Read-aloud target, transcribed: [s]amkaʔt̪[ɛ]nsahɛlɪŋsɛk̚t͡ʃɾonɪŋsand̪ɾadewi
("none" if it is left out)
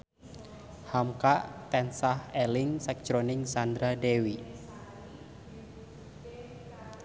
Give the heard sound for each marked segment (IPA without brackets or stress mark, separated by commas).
h, ɛ